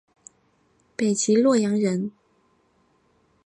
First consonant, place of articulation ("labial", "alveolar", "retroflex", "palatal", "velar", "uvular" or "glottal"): labial